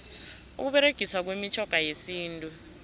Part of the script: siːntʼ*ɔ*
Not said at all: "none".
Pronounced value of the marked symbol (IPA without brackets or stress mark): u